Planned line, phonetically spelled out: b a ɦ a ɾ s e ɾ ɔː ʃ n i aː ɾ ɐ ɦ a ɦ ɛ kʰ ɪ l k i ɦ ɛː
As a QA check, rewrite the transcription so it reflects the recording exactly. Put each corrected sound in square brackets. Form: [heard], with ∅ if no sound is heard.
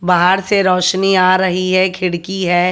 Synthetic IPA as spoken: b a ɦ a ɾ s e ɾ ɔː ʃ n i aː ɾ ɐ ɦ [i] ɦ ɛ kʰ ɪ [ɽ] k i ɦ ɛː